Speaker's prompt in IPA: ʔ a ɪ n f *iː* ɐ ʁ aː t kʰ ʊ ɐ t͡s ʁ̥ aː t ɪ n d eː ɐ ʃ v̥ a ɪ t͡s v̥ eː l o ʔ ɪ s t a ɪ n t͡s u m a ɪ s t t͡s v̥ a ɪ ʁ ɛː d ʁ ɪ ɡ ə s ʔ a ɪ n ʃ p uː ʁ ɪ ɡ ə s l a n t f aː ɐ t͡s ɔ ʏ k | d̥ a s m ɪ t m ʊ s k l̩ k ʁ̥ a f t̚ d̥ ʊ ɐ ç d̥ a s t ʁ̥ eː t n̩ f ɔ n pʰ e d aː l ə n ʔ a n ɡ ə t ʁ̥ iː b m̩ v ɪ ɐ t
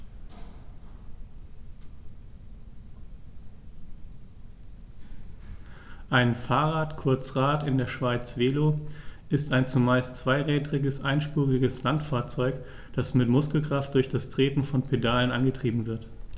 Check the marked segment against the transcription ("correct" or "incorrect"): incorrect